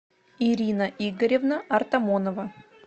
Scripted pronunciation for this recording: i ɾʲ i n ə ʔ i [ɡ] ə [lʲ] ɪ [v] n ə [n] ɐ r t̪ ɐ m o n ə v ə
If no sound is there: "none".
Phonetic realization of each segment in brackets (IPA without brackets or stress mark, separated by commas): ɡ, ɾʲ, v, none